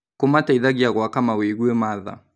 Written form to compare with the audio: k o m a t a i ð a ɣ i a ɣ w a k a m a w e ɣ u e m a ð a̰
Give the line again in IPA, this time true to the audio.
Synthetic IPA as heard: k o m a t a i ð a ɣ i a ɣ w a k a m a w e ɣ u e m a ð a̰